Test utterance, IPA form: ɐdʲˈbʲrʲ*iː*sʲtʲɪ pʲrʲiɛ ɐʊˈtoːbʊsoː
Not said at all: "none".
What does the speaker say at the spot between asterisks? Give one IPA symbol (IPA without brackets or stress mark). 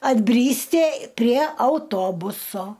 iː